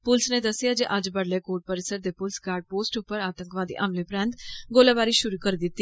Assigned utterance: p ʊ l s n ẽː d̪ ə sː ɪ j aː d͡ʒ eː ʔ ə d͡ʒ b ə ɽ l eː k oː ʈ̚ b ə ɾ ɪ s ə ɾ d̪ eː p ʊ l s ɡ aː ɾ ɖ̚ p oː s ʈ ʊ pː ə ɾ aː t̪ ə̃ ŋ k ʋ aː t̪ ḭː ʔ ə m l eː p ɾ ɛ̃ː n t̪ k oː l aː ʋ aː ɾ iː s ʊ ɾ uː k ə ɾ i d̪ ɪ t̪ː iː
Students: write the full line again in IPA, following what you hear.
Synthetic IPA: p ʊ l s n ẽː d̪ ə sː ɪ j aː d͡ʒ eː ʔ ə d͡ʒ b ə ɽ l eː k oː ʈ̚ p ə ɾ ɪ s ə ɾ d̪ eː p ʊ l s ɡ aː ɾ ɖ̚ p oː s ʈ ʊ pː ə ɾ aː t̪ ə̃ ŋ k ʋ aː d̪ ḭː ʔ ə m l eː p ɾ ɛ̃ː n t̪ ɡ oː l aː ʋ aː ɾ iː ʃ ʊ ɾ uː k ə ɾ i d̪ ɪ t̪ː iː